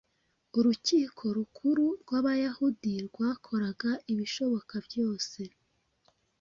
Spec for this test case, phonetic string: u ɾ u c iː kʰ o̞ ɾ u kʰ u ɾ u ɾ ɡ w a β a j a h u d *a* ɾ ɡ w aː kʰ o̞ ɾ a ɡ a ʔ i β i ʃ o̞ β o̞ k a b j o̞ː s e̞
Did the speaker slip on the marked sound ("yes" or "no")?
yes